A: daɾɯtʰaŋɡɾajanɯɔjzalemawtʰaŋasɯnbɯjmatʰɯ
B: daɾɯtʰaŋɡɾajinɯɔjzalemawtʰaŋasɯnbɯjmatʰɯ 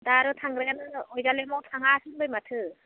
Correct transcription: A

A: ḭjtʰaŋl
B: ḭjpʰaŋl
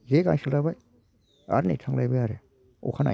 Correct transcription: A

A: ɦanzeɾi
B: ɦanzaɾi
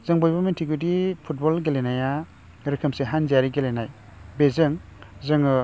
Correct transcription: B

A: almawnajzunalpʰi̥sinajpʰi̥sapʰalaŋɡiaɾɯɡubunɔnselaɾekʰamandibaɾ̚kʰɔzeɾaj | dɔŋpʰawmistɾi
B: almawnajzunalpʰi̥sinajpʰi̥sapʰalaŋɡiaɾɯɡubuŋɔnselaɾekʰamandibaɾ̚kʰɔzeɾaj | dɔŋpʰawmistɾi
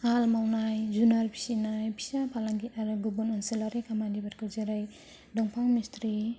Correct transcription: A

